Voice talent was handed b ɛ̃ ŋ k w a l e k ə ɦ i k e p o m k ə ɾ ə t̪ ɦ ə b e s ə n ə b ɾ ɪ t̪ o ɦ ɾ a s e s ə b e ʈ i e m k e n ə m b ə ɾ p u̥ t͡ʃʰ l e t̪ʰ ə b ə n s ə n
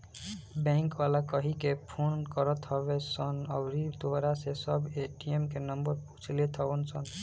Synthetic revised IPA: b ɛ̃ ŋ k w a l a k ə ɦ i k e pʰ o n k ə ɾ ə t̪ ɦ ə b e s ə n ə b ɾ i t̪ o ɦ ɾ a s e s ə b e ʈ i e m k e n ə m b ə ɾ p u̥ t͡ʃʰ l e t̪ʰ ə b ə n s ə n